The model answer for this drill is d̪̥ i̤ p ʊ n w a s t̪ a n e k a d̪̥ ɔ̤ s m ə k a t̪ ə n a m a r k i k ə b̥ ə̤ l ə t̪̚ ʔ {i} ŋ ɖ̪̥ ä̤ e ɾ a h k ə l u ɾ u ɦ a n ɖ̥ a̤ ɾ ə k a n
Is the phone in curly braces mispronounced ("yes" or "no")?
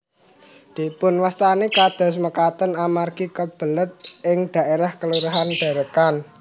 yes